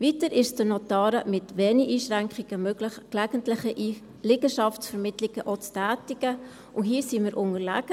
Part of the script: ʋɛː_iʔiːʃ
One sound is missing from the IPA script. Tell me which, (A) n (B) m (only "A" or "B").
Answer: A